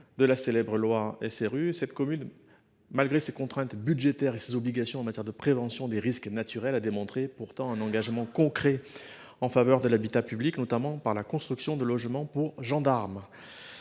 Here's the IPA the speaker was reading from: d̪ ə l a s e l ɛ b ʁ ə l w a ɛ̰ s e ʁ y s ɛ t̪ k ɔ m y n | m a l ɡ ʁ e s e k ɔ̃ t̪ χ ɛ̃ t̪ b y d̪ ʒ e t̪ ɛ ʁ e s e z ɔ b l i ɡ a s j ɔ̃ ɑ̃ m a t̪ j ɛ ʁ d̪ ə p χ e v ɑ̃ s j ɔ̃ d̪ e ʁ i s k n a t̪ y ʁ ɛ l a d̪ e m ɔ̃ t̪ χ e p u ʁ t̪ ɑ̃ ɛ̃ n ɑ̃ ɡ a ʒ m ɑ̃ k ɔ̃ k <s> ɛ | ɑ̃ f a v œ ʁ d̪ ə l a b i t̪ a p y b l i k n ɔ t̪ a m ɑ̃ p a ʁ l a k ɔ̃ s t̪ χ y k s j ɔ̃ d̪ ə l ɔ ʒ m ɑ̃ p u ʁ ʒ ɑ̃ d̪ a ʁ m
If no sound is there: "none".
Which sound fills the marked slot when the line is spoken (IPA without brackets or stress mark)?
χ